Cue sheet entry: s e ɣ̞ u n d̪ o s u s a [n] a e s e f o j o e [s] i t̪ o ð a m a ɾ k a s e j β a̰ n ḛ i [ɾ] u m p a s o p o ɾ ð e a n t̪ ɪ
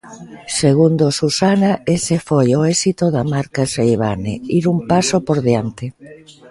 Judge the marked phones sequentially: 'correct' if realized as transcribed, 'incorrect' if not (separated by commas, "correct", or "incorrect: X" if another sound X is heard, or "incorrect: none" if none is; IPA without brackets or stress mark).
correct, correct, correct